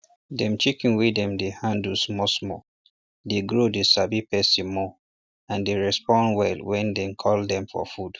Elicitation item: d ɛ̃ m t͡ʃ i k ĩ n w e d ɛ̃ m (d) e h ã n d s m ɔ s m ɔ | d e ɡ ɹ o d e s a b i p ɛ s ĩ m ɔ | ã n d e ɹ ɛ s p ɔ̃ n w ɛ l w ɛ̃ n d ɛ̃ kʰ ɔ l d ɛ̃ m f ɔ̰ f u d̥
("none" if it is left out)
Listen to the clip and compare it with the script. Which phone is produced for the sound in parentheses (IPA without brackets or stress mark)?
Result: d